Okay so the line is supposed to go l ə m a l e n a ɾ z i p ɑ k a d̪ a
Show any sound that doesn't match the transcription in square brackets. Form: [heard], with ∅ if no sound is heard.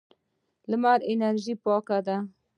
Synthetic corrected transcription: l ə m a [ɾ] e n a ɾ [ʒ] i p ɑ k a d̪ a